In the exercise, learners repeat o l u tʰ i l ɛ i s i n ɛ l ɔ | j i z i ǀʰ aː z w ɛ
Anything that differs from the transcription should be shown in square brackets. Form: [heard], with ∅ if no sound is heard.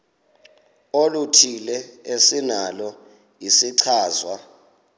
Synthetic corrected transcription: o l u tʰ i l ɛ [e] s i n [a] l ɔ | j i [s] i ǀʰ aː z w [a]